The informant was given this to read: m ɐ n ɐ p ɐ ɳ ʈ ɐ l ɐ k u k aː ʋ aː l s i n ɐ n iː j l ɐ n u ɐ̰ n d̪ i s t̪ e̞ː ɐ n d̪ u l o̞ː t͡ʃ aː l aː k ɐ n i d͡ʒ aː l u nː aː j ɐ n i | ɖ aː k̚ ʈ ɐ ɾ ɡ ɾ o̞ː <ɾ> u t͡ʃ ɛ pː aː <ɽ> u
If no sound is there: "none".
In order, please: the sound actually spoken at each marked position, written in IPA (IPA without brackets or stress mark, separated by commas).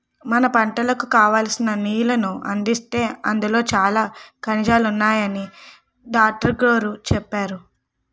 ɾ, ɾ